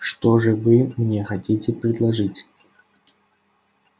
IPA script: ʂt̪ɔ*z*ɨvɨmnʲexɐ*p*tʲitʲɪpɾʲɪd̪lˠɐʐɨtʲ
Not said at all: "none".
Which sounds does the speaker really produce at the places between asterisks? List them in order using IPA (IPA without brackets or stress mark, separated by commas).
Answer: ʐ, none